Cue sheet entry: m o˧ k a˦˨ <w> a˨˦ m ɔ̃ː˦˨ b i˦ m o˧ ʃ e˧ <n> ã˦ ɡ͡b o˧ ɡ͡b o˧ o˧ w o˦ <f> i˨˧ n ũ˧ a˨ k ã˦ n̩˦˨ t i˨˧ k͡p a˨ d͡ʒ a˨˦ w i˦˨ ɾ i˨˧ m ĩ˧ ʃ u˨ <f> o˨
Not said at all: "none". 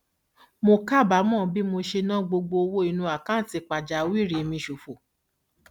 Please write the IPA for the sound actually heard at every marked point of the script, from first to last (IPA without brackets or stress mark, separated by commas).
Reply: b, n, none, f